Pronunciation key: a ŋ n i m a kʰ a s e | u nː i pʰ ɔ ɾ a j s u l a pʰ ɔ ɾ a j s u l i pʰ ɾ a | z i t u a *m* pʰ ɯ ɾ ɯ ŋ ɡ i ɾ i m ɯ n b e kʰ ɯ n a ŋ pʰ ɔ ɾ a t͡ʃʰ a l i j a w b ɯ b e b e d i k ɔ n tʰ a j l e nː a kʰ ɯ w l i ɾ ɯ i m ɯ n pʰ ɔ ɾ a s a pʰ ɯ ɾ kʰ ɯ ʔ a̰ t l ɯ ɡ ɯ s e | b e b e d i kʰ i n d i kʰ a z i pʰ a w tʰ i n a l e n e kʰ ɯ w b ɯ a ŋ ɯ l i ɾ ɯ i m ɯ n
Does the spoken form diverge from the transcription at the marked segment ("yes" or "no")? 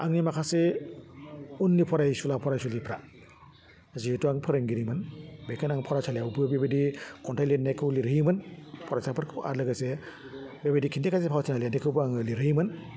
yes